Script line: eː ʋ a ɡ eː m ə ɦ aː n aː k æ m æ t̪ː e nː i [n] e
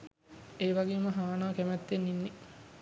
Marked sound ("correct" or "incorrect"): incorrect